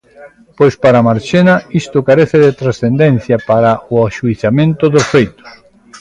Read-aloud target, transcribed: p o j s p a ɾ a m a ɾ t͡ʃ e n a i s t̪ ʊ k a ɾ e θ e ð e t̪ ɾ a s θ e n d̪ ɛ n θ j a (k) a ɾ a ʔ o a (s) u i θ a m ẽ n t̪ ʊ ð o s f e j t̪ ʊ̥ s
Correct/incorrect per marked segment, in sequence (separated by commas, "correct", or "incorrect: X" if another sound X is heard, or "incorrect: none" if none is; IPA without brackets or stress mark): incorrect: p, incorrect: ʃ